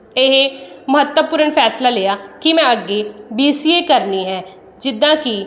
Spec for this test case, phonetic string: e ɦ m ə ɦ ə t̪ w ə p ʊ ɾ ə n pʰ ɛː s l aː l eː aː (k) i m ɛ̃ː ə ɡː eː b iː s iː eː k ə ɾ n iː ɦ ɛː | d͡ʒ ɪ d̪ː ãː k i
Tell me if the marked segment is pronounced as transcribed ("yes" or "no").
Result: yes